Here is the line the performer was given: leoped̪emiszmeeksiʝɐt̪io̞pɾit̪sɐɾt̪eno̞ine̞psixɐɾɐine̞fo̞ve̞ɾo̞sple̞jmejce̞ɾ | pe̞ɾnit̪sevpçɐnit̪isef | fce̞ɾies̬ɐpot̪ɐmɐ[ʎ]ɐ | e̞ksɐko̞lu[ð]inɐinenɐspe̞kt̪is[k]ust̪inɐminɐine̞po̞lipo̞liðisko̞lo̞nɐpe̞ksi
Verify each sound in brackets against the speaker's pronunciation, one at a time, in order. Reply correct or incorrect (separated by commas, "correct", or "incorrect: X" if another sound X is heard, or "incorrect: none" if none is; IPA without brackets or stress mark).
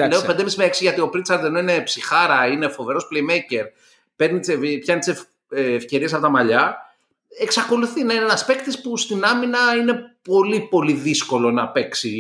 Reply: correct, incorrect: θ, incorrect: p